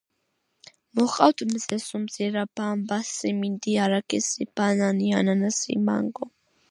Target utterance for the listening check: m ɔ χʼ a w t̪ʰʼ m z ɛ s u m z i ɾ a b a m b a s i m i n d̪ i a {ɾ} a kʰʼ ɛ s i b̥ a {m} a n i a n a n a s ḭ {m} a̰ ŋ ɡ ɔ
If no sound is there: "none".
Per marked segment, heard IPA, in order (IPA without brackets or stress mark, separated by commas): ɾ, n, m